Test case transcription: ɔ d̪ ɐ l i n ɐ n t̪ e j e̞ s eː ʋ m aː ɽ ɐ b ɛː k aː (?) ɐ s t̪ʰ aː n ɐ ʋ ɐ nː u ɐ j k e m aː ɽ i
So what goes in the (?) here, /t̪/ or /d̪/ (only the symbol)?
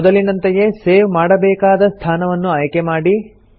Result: d̪